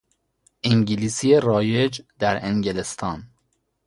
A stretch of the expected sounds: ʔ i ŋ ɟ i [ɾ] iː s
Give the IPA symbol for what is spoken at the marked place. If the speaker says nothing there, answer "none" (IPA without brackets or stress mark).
l